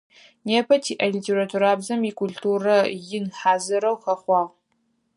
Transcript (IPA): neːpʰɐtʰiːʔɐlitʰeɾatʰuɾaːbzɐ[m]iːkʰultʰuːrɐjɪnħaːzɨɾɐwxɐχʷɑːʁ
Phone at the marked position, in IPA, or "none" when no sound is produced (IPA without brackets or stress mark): m